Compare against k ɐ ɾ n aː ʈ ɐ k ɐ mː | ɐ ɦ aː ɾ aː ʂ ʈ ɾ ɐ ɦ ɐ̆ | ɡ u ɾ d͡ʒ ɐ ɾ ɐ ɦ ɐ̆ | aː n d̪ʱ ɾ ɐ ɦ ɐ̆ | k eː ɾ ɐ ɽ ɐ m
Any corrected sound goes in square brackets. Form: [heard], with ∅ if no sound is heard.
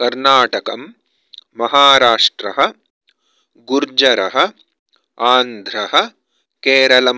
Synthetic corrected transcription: k ɐ ɾ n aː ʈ ɐ k ɐ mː | ɐ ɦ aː ɾ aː ʂ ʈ ɾ ɐ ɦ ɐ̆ | ɡ u ɾ d͡ʒ ɐ ɾ ɐ ɦ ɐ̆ | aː n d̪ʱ ɾ ɐ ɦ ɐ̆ | k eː ɾ ɐ [l] ɐ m